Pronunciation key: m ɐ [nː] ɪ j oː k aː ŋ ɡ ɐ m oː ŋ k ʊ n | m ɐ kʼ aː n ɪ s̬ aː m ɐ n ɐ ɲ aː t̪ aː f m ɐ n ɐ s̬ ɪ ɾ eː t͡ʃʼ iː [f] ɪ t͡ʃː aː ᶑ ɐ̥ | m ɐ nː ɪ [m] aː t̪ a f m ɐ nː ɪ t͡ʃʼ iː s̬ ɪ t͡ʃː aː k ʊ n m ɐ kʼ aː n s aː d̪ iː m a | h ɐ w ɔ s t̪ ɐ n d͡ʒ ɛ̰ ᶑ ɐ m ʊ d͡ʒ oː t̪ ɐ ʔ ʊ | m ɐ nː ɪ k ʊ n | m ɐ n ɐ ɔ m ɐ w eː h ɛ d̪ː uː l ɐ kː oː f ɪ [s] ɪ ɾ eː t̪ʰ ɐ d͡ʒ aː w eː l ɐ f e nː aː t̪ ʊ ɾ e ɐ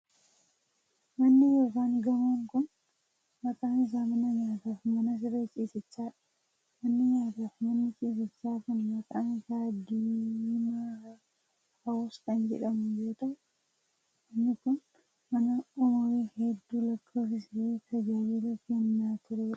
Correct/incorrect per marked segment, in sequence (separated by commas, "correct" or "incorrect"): correct, incorrect, incorrect, correct